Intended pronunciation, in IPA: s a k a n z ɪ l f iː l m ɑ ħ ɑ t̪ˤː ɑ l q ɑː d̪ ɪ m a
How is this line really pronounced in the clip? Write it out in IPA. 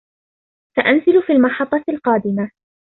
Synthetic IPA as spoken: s a ʔ a n z ɪ l f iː l m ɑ ħ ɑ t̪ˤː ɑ l q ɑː d̪ ɪ m a